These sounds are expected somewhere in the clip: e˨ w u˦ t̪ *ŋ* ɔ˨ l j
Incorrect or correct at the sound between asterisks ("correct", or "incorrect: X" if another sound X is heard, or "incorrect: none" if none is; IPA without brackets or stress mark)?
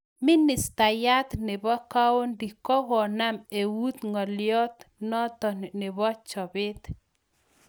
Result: correct